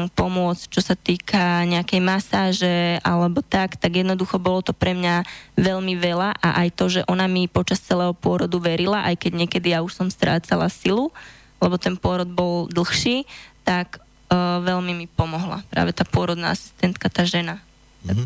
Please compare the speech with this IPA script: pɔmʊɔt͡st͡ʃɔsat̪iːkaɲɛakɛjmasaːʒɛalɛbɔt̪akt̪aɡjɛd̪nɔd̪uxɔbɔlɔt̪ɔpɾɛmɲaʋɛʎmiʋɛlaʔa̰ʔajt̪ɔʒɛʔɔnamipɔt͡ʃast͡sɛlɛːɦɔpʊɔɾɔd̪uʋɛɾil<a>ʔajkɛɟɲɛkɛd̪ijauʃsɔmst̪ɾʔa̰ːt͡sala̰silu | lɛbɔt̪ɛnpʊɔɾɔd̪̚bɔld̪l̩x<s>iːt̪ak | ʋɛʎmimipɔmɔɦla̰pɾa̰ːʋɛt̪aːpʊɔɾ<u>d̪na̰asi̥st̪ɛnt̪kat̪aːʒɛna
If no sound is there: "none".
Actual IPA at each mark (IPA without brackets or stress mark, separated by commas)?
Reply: a, ʃ, ɔ